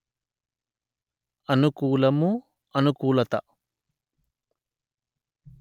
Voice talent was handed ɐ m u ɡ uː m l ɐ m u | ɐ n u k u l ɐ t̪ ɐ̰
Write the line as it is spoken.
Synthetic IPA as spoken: ɐ n u k uː l ɐ m u | ɐ n u k uː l ɐ t̪ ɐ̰